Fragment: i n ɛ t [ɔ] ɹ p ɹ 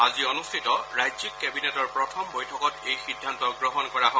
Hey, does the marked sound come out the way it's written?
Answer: yes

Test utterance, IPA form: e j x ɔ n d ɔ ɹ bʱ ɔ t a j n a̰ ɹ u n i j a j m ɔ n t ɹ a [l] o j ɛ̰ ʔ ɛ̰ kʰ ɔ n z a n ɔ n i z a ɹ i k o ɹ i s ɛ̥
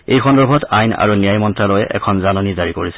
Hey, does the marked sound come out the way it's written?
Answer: yes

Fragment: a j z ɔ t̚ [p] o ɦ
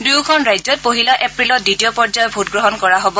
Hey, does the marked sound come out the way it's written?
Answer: yes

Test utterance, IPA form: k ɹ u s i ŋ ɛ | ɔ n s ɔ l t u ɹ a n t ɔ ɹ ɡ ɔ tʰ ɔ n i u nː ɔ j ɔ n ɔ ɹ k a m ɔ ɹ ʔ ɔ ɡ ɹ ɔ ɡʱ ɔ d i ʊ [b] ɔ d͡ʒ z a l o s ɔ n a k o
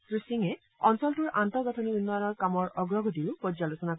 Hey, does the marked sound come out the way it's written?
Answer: no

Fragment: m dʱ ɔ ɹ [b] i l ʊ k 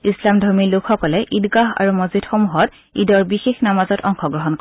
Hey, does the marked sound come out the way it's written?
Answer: no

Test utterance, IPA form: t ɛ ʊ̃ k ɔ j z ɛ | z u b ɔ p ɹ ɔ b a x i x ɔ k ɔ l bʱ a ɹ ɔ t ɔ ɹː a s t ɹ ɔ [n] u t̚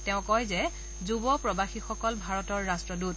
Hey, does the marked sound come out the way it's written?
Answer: no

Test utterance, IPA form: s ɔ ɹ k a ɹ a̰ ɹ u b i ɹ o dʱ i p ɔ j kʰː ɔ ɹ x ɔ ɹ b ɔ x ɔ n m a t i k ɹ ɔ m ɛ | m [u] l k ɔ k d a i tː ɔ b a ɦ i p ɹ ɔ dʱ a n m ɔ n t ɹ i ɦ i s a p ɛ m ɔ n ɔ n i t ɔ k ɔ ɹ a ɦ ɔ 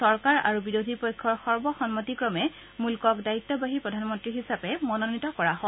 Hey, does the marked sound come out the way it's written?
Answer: yes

